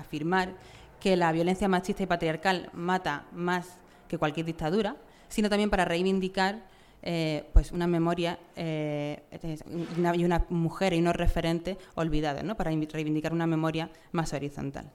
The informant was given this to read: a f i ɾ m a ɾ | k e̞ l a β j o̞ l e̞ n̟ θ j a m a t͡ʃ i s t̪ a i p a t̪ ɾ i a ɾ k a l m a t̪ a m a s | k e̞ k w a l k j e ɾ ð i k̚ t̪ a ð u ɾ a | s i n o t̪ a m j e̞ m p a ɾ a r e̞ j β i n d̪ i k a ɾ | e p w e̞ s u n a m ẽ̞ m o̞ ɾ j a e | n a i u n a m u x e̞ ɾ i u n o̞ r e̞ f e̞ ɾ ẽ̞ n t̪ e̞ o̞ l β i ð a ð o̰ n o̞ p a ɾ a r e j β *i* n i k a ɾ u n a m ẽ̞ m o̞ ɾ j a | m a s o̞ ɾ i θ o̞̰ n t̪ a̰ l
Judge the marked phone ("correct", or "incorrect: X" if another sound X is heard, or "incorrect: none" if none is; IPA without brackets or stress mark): correct